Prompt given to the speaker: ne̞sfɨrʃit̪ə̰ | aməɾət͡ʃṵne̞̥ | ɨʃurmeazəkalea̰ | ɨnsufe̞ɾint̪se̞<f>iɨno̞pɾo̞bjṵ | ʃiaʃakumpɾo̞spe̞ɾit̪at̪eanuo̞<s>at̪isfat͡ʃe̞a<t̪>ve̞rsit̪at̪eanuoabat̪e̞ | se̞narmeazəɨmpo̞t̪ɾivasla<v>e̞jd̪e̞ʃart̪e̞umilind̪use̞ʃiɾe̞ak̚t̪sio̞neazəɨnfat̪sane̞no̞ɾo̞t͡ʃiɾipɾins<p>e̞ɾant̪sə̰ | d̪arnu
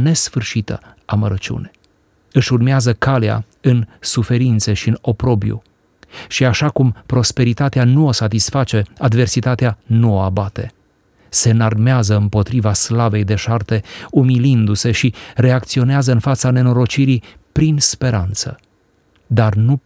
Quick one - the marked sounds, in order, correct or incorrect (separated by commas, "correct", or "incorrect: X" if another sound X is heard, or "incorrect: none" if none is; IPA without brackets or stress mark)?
incorrect: ʃ, correct, incorrect: d̪, correct, correct